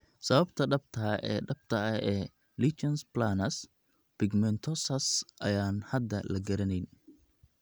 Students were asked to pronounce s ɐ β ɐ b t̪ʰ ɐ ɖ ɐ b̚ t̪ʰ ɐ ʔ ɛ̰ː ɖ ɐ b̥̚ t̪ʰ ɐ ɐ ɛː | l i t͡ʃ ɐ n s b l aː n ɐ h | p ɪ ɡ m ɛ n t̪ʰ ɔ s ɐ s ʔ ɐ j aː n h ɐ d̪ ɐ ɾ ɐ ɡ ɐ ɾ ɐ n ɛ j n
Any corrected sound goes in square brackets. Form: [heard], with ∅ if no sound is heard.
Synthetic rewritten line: s ɐ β ɐ b t̪ʰ ɐ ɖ ɐ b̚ t̪ʰ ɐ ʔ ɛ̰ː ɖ ɐ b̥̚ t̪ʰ ɐ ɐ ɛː | l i t͡ʃ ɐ n s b l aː n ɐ [s] | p ɪ ɡ m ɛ n t̪ʰ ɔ s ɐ s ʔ ɐ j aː n h ɐ d̪ ɐ [l] ɐ ɡ ɐ ɾ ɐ n ɛ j n

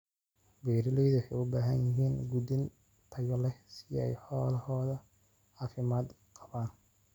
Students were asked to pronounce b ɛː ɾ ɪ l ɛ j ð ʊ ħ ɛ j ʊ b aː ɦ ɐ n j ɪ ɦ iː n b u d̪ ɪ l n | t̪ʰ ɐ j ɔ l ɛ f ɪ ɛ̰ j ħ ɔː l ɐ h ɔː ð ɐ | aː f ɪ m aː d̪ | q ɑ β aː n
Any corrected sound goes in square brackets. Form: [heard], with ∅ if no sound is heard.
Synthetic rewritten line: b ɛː ɾ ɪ l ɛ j ð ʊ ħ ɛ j ʊ b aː ɦ ɐ n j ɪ ɦ iː n [ɡ] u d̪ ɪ [∅] n | t̪ʰ ɐ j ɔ l ɛ [s] ɪ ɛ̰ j ħ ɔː l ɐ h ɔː ð ɐ | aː f ɪ m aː d̪ | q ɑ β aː n

